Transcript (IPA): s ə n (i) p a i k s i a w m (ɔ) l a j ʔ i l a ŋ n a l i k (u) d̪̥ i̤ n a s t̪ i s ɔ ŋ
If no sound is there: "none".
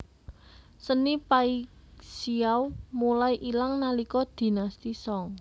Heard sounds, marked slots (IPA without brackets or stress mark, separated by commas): i, u, ɔ